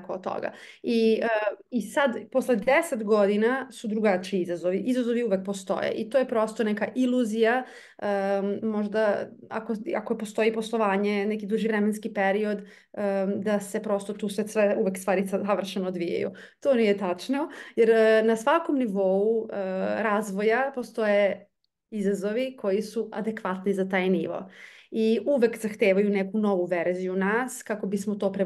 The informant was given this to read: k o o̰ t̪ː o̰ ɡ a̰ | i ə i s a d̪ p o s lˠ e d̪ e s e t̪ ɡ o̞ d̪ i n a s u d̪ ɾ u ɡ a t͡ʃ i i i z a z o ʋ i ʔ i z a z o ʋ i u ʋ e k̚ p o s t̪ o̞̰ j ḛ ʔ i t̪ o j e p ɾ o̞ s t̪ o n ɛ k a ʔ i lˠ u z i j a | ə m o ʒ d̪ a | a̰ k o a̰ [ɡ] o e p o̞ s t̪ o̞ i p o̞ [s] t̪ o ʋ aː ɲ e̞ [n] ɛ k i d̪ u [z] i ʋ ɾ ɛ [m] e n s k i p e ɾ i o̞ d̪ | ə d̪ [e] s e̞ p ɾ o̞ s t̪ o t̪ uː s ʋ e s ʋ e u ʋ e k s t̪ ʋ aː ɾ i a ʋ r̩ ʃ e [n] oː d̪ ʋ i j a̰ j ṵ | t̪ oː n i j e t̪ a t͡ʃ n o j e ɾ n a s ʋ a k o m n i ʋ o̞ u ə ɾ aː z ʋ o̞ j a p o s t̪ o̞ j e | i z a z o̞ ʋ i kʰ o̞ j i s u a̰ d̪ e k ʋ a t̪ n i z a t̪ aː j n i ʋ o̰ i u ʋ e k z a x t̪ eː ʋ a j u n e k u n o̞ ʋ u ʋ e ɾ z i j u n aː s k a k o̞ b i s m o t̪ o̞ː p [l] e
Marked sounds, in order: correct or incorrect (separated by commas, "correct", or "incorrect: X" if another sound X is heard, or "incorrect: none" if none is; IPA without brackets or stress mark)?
incorrect: k, correct, correct, incorrect: ʒ, correct, incorrect: a, correct, incorrect: ɾ